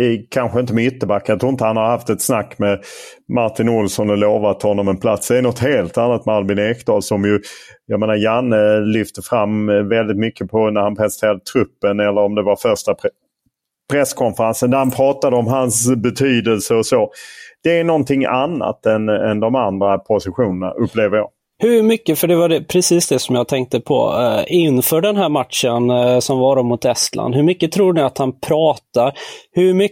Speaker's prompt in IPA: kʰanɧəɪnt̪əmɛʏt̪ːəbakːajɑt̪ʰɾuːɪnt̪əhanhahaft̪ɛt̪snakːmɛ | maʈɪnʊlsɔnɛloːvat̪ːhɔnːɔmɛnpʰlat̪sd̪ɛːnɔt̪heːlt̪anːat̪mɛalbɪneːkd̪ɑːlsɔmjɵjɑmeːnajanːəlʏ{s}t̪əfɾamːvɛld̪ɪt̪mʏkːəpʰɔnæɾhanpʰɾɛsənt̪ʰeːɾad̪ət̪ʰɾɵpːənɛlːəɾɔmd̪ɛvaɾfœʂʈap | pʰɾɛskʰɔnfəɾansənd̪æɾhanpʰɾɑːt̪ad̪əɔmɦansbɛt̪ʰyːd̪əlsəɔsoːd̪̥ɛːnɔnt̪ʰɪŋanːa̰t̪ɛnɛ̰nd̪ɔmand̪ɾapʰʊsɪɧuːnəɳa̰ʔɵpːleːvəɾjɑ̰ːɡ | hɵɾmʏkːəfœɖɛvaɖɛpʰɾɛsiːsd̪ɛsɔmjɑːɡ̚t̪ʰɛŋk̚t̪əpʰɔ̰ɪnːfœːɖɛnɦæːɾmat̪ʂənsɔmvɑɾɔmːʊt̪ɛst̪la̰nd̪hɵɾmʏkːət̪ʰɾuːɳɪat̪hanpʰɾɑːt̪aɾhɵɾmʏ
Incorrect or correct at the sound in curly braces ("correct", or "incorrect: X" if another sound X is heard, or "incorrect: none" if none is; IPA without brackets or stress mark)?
incorrect: f